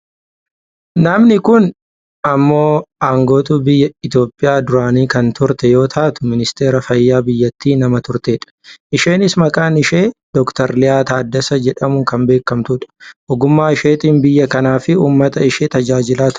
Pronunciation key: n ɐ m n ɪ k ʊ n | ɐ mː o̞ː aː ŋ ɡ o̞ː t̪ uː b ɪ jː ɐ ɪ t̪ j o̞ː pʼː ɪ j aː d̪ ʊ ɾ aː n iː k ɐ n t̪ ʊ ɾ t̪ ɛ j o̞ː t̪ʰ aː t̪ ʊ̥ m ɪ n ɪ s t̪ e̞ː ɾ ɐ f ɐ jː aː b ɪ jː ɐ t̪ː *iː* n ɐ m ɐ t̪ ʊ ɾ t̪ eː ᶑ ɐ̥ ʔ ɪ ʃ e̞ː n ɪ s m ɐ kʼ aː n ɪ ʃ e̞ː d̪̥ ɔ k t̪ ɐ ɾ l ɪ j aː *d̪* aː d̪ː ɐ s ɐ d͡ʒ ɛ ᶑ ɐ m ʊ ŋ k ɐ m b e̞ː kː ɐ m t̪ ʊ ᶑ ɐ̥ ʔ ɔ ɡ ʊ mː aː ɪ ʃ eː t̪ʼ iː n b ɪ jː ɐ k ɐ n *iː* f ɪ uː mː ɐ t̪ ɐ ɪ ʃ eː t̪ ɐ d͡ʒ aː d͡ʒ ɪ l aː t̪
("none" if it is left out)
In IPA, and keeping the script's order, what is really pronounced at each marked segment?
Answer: iː, t̪, aː

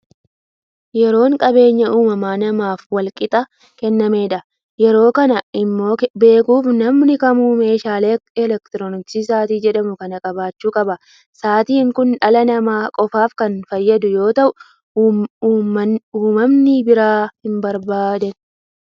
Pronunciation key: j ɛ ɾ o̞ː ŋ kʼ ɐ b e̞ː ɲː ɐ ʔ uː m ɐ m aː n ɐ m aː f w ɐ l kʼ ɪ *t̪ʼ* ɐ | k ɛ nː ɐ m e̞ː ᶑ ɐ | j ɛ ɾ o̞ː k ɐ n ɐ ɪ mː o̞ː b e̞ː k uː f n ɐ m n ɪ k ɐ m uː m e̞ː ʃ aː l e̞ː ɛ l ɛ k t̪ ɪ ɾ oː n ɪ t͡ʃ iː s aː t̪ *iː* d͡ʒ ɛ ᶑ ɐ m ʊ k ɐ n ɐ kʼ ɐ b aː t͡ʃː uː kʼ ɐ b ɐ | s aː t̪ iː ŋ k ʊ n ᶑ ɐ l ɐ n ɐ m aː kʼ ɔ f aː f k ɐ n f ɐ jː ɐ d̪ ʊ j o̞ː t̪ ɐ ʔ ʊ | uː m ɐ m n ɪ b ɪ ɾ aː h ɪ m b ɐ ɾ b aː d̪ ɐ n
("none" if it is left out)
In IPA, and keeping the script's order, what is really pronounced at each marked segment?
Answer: t̪ʼ, iː

